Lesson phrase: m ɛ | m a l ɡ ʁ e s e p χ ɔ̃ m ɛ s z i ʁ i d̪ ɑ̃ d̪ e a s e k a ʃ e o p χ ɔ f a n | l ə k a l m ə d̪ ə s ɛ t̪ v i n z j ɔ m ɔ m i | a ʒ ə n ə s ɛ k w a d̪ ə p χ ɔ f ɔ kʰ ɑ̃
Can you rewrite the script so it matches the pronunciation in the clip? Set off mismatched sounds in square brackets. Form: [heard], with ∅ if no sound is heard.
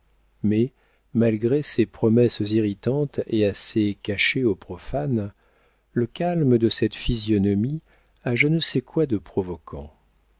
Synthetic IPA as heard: m ɛ | m a l ɡ ʁ e s e p χ [ɔ] m ɛ s z i ʁ i [t̪] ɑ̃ [t̪] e a s e k a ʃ e o p χ ɔ f a n | l ə k a l m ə d̪ ə s ɛ t̪ [f] i [∅] z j ɔ [n] ɔ m i | a ʒ ə n ə s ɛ k w a d̪ ə p χ ɔ [v] ɔ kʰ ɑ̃

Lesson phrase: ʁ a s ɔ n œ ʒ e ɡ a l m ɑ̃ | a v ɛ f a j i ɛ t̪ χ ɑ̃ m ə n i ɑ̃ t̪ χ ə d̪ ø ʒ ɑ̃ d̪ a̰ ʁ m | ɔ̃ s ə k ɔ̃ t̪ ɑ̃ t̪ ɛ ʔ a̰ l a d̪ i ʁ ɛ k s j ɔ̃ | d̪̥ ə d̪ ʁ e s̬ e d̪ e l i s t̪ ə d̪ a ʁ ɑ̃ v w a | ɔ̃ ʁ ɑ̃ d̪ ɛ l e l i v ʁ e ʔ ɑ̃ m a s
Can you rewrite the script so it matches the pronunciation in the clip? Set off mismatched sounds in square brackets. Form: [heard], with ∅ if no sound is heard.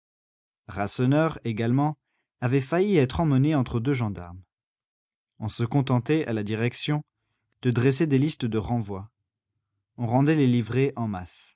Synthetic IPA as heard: ʁ a s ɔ n œ [ʁ] e ɡ a l m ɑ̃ | a v ɛ f a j i ɛ t̪ χ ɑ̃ m ə n [e] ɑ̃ t̪ χ ə d̪ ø ʒ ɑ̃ d̪ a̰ ʁ m | ɔ̃ s ə k ɔ̃ t̪ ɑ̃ t̪ ɛ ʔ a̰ l a d̪ i ʁ ɛ k s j ɔ̃ | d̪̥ ə d̪ ʁ e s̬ e d̪ e l i s t̪ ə d̪ [ə] ʁ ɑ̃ v w a | ɔ̃ ʁ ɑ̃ d̪ ɛ l e l i v ʁ e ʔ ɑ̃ m a s

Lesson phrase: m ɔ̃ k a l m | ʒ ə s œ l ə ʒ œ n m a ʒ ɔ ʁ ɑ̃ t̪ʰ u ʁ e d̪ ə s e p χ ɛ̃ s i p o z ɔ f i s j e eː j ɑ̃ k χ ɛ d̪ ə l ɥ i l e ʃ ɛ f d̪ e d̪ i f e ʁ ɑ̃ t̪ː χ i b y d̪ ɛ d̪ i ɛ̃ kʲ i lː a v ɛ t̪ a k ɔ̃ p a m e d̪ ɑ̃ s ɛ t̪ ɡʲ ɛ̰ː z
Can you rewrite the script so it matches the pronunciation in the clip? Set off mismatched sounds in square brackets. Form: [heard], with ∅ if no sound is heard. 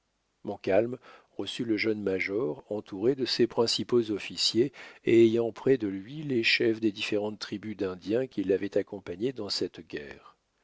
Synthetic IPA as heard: m ɔ̃ k a l m | [ʁ] ə s [y] l ə ʒ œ n m a ʒ ɔ ʁ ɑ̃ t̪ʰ u ʁ e d̪ ə s e p χ ɛ̃ s i p o z ɔ f i s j e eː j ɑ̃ [p] χ ɛ d̪ ə l ɥ i l e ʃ ɛ f d̪ e d̪ i f e ʁ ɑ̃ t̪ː χ i b y d̪ [ɛ̃] d̪ [j] ɛ̃ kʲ i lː a v ɛ t̪ a k ɔ̃ p a [ɲ] e d̪ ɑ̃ s ɛ t̪ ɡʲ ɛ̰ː [ʁ]

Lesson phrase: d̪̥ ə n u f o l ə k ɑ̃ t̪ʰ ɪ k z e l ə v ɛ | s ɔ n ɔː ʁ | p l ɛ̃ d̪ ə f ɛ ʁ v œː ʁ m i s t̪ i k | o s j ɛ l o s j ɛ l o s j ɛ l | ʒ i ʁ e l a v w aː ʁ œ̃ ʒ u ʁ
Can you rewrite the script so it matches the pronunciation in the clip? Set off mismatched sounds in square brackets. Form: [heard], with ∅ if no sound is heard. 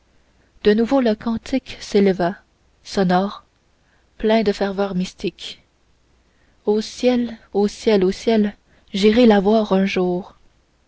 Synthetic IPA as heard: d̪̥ ə n u [v] o l ə k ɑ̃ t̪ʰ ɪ k [s] e l ə v [a] | s ɔ n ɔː ʁ | p l ɛ̃ d̪ ə f ɛ ʁ v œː ʁ m i s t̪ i k | o s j ɛ l o s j ɛ l o s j ɛ l | ʒ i ʁ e l a v w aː ʁ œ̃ ʒ [uː] ʁ

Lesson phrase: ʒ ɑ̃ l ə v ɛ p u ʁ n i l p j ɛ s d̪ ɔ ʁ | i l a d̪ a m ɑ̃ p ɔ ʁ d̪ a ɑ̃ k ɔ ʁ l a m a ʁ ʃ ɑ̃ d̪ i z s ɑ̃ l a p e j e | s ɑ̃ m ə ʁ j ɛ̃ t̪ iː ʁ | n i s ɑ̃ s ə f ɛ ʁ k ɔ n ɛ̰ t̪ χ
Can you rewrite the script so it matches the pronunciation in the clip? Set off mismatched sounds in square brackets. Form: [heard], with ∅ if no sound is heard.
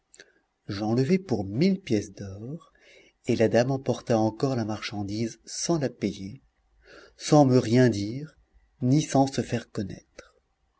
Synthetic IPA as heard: ʒ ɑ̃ l ə v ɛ p u ʁ [m] i l p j ɛ s d̪ ɔ ʁ | [e] l a d̪ a m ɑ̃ p ɔ ʁ [t̪] a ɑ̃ k ɔ ʁ l a m a ʁ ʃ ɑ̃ d̪ i z s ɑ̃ l a p e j e | s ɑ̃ m ə ʁ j ɛ̃ [d̪] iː ʁ | n i s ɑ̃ s ə f ɛ ʁ k ɔ n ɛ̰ t̪ χ

